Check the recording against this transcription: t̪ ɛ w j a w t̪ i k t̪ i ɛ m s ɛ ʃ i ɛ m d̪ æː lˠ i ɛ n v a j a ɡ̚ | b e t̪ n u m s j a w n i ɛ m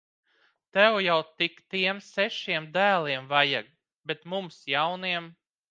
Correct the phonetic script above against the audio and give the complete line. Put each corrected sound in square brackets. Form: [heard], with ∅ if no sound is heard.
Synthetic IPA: t̪ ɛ w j a w t̪ i k t̪ i ɛ m s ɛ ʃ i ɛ m d̪ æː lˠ i ɛ [m] v a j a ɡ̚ | b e t̪ [m] u m s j a w n i ɛ m